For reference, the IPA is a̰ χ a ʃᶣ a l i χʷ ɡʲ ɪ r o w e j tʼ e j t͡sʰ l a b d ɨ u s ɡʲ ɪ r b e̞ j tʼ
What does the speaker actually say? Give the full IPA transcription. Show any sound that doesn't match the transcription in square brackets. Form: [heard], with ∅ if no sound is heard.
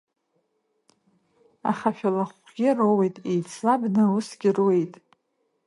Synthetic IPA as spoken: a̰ χ a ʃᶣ a l [a] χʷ ɡʲ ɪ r o w e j tʼ e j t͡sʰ l a b [n] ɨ u s ɡʲ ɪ r [w] e̞ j tʼ